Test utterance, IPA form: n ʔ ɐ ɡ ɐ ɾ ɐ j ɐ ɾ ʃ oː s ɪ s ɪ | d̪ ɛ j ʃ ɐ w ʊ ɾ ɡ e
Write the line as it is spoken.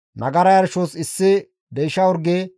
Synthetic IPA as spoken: n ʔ ɐ ɡ ɐ ɾ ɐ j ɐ ɾ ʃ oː s ɪ sː ɪ | d̪ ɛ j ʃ ɐ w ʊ ɾ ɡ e